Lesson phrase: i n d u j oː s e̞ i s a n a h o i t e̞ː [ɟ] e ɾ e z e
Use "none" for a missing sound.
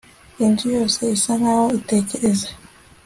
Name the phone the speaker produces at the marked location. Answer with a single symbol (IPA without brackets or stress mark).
c